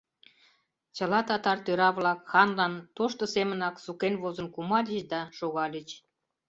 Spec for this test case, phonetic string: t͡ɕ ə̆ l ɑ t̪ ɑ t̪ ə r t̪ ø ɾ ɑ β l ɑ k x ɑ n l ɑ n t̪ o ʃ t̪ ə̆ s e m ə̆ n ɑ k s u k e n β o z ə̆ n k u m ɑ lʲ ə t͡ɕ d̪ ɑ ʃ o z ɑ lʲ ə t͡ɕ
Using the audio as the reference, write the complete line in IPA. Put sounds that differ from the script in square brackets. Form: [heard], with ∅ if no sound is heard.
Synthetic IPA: t͡ɕ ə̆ l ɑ t̪ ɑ t̪ [ɑ] r t̪ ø ɾ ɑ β l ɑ k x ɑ n l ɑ n t̪ o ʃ t̪ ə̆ s e m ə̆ n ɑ k s u k e n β o z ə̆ n k u m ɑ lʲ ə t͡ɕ d̪ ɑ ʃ o [ɣ] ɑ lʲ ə t͡ɕ